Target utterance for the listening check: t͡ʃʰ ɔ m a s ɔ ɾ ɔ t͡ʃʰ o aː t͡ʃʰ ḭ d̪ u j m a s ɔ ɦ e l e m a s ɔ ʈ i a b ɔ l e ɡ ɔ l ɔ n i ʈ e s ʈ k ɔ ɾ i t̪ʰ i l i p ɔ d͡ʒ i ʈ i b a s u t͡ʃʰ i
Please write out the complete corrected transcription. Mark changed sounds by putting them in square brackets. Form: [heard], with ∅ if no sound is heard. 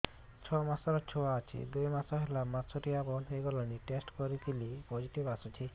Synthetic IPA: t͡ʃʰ ɔ m a s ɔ ɾ ɔ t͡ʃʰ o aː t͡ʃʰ ḭ d̪ u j m a s ɔ ɦ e l [a] m a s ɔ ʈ i a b ɔ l e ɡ ɔ l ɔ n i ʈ e s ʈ k ɔ ɾ i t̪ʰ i l i p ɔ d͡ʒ i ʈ i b a s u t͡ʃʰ i